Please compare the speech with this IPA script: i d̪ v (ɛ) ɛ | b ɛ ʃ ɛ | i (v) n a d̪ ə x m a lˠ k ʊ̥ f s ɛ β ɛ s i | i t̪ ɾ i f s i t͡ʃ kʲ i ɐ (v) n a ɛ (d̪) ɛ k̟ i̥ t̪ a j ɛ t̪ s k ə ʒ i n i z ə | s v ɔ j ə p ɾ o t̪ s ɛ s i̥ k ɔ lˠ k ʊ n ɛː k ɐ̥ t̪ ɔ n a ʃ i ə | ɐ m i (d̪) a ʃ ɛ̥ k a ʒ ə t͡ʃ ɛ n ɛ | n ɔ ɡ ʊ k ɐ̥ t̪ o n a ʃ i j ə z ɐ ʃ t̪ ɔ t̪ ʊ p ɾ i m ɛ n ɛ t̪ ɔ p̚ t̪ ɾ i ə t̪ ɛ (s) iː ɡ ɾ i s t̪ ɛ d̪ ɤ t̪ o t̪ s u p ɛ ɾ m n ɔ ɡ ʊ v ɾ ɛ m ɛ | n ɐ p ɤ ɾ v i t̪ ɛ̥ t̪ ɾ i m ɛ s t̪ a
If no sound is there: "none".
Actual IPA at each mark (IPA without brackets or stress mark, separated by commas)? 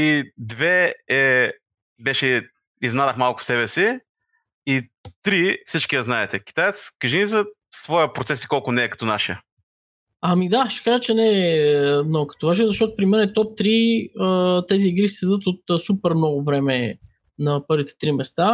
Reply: ɛ, z, z, t̪, d̪, z